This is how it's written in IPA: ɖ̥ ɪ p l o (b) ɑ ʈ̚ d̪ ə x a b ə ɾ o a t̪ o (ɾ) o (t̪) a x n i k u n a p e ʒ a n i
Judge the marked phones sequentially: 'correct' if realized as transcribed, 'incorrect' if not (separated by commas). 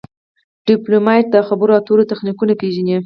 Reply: incorrect, correct, correct